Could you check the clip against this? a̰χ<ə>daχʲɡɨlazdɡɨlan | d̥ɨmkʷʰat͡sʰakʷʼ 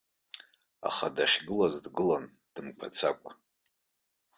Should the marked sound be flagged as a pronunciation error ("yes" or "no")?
yes